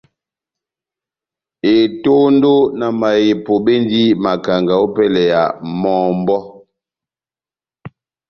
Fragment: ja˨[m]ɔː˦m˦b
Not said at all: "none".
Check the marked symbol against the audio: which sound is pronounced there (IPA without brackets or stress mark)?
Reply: m